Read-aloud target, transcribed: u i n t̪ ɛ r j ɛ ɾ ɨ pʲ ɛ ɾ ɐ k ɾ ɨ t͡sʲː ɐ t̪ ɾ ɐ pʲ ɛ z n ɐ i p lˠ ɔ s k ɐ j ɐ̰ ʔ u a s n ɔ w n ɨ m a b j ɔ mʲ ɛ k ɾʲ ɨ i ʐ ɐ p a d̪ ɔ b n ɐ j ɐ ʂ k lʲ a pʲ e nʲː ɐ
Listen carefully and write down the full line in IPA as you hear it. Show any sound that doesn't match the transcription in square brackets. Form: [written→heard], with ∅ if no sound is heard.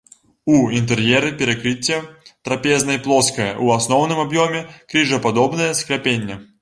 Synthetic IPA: u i n t̪ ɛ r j ɛ ɾ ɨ pʲ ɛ ɾ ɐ k ɾ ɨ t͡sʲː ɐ t̪ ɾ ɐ pʲ ɛ z n ɐ i p lˠ ɔ s k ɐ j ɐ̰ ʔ u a s n ɔ w n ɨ m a b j ɔ mʲ ɛ k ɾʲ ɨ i ʐ ɐ p a d̪ ɔ b n ɐ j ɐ [ʂ→s] k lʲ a pʲ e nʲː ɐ